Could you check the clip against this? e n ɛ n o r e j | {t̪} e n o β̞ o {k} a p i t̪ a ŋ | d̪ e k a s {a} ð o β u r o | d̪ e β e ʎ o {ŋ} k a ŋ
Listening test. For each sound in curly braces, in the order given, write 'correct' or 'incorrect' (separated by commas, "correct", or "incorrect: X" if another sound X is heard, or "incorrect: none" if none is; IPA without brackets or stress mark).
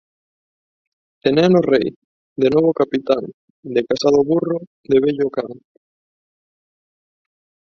incorrect: d̪, correct, correct, incorrect: none